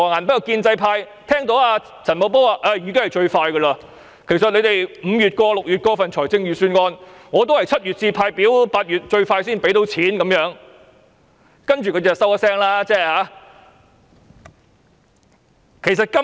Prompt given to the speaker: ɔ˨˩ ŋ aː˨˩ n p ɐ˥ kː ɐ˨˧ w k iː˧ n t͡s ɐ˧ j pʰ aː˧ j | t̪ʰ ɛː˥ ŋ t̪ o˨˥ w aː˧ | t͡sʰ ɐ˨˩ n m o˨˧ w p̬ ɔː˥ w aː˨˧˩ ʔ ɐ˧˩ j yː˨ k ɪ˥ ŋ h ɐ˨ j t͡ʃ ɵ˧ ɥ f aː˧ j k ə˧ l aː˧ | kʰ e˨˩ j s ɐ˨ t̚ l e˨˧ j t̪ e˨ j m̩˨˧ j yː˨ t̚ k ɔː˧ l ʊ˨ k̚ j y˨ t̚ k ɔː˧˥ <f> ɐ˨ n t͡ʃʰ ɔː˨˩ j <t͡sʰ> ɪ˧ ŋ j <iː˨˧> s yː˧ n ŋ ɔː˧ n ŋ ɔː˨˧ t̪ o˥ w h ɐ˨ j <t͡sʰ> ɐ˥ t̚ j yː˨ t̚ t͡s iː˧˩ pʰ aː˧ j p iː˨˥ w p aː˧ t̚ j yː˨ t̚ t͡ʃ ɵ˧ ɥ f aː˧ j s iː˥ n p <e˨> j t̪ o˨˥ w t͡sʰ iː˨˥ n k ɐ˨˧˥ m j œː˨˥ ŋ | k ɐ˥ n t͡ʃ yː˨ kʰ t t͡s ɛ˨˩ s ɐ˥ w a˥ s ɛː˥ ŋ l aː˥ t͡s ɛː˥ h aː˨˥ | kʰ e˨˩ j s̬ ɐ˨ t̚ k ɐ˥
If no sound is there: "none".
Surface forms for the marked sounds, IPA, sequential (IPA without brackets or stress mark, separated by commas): f, t͡s, yː˨˧, t͡sʰ, e˨˥